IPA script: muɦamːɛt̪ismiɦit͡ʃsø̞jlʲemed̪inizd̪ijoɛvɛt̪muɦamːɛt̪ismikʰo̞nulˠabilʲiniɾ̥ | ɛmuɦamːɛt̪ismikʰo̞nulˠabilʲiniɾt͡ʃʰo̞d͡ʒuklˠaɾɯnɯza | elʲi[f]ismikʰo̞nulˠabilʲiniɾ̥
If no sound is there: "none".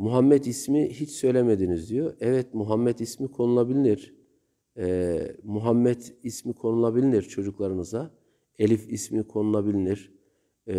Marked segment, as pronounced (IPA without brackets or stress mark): f